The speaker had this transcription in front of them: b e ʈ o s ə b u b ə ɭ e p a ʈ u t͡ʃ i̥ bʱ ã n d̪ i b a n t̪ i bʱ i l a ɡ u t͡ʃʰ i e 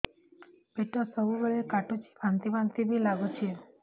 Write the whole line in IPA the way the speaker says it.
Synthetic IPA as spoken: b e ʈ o s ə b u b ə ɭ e k a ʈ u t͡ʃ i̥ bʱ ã n t̪ i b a n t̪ i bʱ i l a ɡ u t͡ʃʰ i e